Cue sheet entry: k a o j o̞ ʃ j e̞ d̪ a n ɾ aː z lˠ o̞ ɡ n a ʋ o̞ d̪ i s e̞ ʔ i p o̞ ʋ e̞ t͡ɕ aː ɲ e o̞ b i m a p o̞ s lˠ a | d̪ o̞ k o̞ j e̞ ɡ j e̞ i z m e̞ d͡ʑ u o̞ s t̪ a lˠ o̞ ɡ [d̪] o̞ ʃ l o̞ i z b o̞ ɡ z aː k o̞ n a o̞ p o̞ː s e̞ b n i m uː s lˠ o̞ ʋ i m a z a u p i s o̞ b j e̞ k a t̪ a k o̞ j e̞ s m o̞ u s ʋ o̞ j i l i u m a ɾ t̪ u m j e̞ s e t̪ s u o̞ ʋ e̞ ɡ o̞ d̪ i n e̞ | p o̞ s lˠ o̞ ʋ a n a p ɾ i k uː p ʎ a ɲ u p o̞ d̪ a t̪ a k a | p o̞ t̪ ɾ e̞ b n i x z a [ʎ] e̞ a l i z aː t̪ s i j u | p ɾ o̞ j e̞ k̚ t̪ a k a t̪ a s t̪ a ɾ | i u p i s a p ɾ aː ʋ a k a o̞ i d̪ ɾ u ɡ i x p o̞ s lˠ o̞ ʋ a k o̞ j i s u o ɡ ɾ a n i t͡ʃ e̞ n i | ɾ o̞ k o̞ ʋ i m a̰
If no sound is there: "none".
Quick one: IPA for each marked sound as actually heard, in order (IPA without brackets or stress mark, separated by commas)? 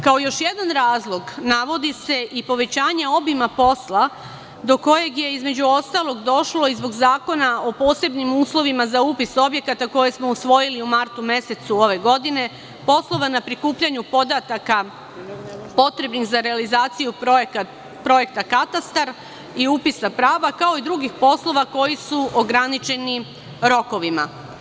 d̪, ɾ